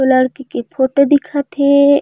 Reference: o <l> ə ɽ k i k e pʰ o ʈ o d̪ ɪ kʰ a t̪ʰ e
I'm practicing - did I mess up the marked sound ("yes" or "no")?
no